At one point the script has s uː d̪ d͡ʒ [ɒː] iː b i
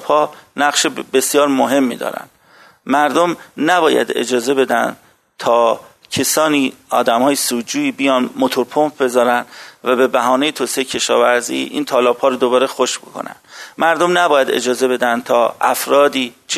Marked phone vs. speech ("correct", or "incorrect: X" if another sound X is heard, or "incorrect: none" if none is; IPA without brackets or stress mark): incorrect: uː